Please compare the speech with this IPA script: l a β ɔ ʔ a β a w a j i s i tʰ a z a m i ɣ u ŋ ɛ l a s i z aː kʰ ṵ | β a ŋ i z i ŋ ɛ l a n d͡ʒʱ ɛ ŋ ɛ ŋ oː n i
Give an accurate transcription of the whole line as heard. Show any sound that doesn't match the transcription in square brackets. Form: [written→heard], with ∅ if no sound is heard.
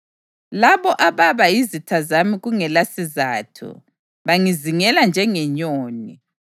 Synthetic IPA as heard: l a β ɔ ʔ a β a [w→β] a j i [s→z] i tʰ a z a m i ɣ u ŋ ɛ l a s i z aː [kʰ→tʰ] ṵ | β a ŋ i z i ŋ ɛ l a n d͡ʒʱ ɛ ŋ ɛ [ŋ→ɲ] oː n i